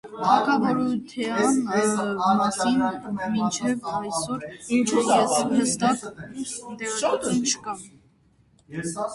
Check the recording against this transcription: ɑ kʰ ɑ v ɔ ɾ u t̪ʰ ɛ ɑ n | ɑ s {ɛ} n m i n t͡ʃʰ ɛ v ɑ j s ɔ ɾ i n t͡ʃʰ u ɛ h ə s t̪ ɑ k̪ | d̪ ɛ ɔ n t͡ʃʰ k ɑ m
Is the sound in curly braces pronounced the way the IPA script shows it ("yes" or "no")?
no